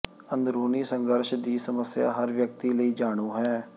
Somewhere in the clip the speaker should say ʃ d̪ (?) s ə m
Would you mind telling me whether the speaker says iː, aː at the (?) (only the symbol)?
iː